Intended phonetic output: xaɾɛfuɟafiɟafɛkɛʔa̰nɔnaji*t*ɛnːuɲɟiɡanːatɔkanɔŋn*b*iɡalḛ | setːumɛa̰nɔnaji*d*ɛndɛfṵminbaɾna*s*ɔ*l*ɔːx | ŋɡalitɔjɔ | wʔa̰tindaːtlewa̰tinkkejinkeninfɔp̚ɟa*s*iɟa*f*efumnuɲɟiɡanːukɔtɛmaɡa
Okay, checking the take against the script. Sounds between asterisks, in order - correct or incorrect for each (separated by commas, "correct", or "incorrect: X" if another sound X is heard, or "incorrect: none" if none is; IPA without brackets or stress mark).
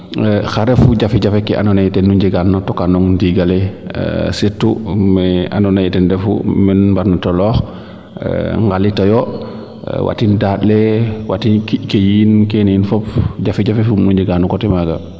correct, incorrect: d, incorrect: t, incorrect: t, correct, incorrect: f, correct